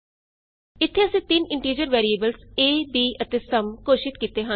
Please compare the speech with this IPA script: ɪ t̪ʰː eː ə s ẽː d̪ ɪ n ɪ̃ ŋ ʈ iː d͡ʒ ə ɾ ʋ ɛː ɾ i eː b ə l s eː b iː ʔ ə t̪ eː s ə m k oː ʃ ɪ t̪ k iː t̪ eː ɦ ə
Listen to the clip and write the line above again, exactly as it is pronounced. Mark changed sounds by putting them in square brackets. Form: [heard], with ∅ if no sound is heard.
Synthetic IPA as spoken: ɪ t̪ʰː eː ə s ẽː [t̪] ɪ n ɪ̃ [ɳ] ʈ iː d͡ʒ ə ɾ ʋ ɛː ɾ i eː b ə l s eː b iː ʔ ə t̪ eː s ə m k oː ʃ ɪ t̪ k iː t̪ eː ɦ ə

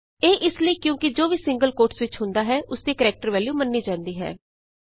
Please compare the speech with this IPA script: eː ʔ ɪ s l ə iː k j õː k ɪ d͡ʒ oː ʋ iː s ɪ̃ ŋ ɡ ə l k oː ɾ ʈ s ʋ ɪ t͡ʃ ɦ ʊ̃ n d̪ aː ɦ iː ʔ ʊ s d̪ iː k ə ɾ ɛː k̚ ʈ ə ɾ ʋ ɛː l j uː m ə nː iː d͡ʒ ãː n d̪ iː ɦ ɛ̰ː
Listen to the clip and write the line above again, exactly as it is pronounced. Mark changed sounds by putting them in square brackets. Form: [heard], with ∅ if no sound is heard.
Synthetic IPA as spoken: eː ʔ ɪ s l ə iː k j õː k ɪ d͡ʒ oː ʋ iː s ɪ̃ ŋ ɡ ə l k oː ɾ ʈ s ʋ ɪ t͡ʃ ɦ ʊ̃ n d̪ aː ɦ [ɛː] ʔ ʊ s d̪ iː k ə ɾ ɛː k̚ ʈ ə ɾ ʋ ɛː l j uː m ə nː iː d͡ʒ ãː n d̪ iː ɦ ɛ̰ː

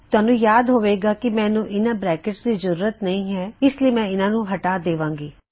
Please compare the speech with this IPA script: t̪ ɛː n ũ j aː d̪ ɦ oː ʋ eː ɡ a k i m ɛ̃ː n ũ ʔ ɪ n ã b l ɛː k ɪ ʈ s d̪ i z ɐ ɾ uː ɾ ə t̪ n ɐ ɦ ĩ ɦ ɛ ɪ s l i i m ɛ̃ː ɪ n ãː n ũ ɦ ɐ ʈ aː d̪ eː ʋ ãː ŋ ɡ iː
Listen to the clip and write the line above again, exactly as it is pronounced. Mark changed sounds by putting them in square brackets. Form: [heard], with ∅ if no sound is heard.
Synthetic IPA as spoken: t̪ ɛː n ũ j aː d̪ ɦ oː ʋ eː ɡ a k i m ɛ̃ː n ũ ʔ ɪ n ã b [ɾ] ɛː k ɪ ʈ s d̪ i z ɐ ɾ uː ɾ ə t̪ n ɐ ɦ ĩ ɦ ɛ ɪ s l i [e] m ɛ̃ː ɪ n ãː n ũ ɦ ɐ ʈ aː d̪ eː ʋ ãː ŋ ɡ iː

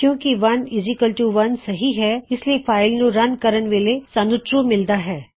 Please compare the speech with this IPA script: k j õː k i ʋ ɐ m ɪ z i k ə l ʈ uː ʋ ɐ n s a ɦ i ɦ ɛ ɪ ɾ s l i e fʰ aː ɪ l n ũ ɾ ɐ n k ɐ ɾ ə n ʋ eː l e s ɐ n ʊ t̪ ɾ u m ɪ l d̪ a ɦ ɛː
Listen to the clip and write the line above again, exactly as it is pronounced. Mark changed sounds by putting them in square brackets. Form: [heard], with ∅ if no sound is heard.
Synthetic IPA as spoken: k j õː k i ʋ ɐ [n] ɪ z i k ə l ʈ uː ʋ ɐ n s [ɐ] ɦ i ɦ ɛ ɪ [∅] s l i e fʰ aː ɪ l n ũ ɾ ɐ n k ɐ ɾ ə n ʋ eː l e s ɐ n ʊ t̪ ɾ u m ɪ l d̪ a ɦ ɛː

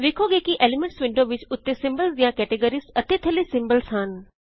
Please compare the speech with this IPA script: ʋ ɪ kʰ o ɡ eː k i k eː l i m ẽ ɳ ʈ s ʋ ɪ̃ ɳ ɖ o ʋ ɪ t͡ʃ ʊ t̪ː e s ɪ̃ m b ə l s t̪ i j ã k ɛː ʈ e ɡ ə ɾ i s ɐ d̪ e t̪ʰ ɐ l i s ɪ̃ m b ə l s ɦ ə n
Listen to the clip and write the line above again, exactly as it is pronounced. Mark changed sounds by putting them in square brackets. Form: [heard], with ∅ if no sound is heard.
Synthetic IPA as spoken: ʋ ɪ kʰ o ɡ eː k i [ʔ] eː l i m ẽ ɳ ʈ s ʋ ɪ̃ ɳ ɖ o ʋ ɪ t͡ʃ ʊ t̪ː e s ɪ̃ m b ə l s [d̪] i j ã k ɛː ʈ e ɡ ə ɾ i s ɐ [t̪] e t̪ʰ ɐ l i s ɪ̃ m b ə l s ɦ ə n

